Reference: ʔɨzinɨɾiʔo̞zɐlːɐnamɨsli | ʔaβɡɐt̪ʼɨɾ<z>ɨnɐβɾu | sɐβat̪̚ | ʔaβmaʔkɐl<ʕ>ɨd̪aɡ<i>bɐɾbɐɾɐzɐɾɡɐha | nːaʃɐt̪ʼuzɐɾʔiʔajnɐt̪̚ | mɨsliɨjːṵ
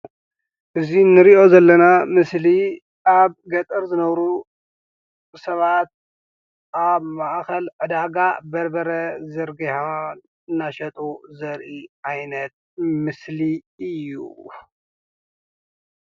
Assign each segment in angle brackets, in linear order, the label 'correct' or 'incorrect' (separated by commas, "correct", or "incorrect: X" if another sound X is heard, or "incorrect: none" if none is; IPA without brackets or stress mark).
correct, correct, incorrect: a